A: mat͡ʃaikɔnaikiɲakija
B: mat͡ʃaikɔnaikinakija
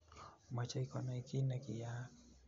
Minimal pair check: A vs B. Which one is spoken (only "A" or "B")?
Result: B